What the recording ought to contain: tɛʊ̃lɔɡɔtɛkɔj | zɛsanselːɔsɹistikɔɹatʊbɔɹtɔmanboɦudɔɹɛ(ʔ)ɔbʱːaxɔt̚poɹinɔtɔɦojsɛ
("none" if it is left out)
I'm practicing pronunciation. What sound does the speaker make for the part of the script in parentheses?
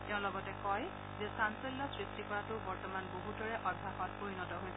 ʔ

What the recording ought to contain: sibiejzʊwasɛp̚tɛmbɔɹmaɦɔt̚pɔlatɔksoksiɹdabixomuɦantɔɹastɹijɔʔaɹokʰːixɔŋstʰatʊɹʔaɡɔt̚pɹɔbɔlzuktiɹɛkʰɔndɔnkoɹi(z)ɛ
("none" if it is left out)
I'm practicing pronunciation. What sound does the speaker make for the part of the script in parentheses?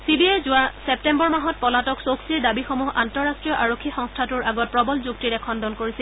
s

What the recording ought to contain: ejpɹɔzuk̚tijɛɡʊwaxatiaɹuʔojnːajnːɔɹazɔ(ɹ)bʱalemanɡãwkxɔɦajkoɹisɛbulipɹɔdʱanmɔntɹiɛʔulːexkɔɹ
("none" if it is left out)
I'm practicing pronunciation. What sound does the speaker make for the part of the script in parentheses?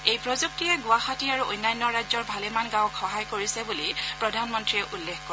ɹ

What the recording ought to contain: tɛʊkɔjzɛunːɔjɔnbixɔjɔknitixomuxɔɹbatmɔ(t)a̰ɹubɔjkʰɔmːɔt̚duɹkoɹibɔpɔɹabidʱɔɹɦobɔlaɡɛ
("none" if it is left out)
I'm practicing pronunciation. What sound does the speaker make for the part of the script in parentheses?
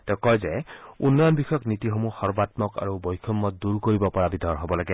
k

